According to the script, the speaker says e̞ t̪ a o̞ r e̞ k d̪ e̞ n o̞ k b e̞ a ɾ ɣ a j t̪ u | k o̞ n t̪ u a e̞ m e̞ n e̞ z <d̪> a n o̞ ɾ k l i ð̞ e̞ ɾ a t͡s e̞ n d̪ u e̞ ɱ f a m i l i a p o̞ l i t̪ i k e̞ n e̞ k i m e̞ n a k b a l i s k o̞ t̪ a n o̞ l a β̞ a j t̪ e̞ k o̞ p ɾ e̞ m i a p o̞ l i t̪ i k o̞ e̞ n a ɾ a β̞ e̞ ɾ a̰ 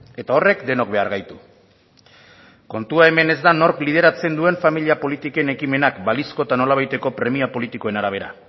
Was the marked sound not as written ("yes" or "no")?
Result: no